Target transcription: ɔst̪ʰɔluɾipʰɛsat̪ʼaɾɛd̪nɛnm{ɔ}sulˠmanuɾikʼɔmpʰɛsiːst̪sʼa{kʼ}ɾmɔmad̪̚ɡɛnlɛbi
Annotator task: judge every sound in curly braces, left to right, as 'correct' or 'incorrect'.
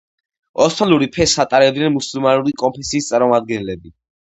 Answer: incorrect: u, incorrect: none

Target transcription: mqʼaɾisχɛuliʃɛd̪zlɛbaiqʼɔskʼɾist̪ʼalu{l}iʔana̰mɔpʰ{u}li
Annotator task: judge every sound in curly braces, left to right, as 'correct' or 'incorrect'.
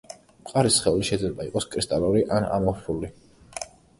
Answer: incorrect: ɾ, correct

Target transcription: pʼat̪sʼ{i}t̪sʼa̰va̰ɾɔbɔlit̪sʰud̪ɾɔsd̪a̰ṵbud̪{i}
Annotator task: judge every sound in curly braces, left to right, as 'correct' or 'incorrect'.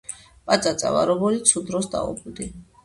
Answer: incorrect: a, correct

